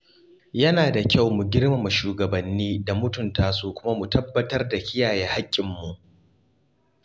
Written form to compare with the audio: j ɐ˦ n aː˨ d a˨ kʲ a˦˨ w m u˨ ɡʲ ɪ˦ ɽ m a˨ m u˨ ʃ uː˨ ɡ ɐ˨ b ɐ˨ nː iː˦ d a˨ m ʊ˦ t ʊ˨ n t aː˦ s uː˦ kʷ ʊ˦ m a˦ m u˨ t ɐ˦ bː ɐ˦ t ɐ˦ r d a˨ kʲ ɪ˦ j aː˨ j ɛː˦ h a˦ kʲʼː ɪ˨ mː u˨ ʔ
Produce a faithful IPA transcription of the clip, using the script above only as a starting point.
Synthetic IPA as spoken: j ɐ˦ n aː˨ d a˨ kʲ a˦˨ w m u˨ ɡʲ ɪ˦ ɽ m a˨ m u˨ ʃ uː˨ ɡ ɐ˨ b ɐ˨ nː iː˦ d a˨ m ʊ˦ t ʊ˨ n t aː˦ s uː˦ kʷ ʊ˦ m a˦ m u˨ t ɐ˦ bː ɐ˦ t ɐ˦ r d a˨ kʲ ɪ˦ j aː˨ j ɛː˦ h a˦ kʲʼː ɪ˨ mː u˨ ʔ